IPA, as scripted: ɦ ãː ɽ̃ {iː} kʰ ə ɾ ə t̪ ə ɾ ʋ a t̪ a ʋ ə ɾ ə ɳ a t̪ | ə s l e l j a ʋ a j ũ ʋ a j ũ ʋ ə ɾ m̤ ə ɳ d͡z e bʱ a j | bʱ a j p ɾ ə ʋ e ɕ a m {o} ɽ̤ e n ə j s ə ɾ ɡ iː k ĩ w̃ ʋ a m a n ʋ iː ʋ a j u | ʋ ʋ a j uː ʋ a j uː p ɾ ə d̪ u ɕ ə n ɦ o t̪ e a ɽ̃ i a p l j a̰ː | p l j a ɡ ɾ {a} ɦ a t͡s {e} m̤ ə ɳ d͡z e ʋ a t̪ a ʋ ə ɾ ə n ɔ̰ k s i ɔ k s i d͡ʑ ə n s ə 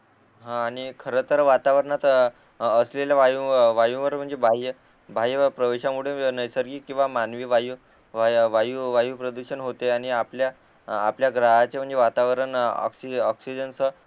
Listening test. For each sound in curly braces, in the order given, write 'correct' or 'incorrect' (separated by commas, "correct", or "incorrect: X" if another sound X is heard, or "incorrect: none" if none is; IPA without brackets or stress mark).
incorrect: i, incorrect: u, correct, correct